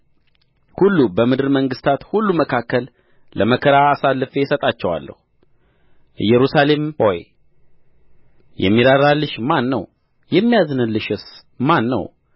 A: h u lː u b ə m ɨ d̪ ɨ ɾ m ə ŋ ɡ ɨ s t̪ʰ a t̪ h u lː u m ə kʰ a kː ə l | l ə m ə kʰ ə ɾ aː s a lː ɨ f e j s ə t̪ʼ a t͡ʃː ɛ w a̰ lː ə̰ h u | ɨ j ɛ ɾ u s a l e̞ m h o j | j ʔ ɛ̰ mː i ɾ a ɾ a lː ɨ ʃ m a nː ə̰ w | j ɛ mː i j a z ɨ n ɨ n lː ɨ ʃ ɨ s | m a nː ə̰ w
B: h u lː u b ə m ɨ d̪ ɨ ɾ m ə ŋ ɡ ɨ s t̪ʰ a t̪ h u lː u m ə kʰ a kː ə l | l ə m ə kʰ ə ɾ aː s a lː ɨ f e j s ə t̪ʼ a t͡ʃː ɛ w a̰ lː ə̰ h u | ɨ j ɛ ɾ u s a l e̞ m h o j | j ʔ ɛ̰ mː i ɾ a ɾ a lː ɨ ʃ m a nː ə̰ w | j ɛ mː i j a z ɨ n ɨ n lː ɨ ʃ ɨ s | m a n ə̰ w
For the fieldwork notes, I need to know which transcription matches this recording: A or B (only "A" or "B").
A